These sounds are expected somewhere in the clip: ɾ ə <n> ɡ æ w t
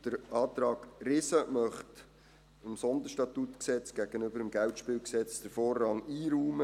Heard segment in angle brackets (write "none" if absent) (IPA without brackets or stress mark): m